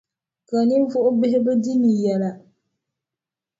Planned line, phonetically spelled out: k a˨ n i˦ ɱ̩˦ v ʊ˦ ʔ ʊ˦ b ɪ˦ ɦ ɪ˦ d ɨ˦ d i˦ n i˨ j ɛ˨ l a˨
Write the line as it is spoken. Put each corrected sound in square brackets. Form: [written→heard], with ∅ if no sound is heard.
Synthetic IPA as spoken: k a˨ n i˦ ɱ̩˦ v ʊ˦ ʔ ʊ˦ b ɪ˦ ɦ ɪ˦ [d→b] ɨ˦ d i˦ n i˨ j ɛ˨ l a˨